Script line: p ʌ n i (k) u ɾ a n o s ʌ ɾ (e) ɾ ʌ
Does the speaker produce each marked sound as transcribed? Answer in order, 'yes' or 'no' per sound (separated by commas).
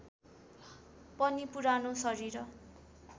no, no